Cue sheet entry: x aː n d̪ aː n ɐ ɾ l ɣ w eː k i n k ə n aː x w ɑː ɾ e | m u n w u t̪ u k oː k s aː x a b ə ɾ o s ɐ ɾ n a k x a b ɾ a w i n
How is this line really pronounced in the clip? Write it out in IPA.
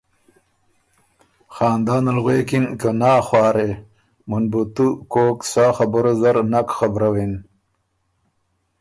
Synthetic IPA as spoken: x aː n d̪ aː n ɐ l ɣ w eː k i n k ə n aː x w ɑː ɾ e | m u n b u t̪ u k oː k s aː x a b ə ɾ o z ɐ ɾ n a k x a b ɾ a w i n